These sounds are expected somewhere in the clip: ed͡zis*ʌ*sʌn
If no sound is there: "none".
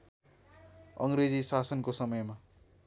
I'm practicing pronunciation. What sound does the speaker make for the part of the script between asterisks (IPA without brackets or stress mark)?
a